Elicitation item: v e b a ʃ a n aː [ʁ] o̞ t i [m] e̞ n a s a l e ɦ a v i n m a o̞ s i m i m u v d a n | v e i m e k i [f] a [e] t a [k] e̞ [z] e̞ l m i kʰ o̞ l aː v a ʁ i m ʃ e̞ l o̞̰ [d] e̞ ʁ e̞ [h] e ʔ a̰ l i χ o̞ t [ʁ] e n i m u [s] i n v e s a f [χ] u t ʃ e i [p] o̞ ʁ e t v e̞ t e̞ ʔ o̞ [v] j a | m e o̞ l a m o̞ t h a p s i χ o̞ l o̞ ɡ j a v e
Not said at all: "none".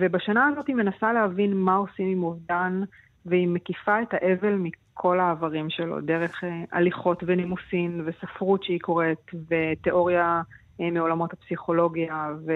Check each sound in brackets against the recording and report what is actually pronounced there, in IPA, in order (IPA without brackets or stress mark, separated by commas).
z, m, f, e, ʔ, v, d, χ, v, s, ʁ, k, ʁ